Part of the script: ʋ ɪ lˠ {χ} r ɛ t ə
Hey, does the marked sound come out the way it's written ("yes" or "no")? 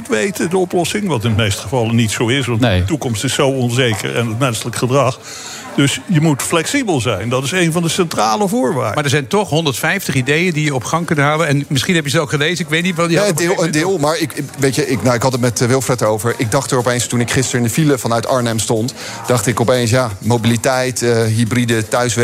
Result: no